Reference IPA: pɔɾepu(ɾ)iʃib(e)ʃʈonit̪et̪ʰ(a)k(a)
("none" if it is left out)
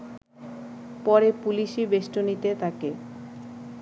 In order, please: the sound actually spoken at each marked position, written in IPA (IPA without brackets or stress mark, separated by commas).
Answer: l, e, a, e